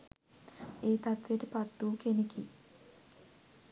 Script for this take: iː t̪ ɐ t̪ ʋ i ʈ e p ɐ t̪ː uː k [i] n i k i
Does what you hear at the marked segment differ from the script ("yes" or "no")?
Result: yes